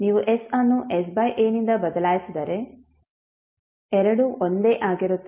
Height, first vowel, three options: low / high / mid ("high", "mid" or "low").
high